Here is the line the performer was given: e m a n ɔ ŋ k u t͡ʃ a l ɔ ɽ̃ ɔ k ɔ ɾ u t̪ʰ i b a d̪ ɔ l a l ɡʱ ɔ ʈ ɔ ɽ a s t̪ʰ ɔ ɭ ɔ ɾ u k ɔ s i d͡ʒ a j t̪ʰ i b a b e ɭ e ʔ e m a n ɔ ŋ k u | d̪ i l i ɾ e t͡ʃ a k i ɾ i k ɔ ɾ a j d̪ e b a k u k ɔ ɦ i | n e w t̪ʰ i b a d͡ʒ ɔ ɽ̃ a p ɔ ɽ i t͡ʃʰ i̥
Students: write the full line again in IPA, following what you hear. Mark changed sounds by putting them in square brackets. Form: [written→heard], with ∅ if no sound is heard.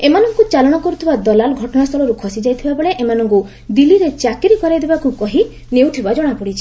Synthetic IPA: e m a n ɔ ŋ k u t͡ʃ a l ɔ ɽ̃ ɔ k ɔ ɾ u t̪ʰ i b a d̪ ɔ l a l ɡʱ ɔ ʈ ɔ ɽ a s t̪ʰ ɔ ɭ ɔ ɾ u [k→kʰ] ɔ s i d͡ʒ a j t̪ʰ i b a b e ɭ e ʔ e m a n ɔ ŋ k u | d̪ i l i ɾ e t͡ʃ a k i ɾ i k ɔ ɾ a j d̪ e b a k u k ɔ ɦ i | n e w t̪ʰ i b a d͡ʒ ɔ ɽ̃ a p ɔ ɽ i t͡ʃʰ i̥